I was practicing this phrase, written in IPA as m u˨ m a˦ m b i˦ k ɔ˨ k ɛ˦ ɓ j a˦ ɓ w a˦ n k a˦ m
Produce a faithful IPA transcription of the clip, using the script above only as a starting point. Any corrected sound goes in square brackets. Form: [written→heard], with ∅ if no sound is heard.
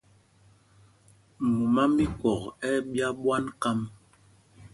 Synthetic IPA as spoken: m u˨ m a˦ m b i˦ k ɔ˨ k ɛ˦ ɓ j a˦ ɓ w a˦ n k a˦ m